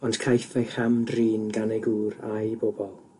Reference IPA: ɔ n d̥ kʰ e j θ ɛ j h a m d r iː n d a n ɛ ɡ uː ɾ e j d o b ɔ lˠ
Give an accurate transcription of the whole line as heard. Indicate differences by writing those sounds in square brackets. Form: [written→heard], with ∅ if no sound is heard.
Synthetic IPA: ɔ n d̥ kʰ [e→a] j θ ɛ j [h→χ] a m d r iː n [d→ɡ] a n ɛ ɡ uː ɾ [e→a] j [d→b] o b ɔ lˠ